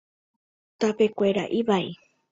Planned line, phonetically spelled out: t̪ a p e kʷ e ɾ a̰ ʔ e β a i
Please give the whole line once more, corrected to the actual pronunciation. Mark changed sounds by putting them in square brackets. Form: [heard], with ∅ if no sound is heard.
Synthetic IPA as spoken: t̪ a p e kʷ e ɾ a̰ ʔ [i] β a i